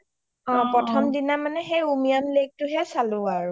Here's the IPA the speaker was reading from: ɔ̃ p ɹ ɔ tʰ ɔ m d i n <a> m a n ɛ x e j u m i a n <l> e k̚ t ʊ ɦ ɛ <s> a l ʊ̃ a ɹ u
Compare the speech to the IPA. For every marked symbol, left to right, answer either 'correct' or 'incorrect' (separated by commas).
correct, correct, correct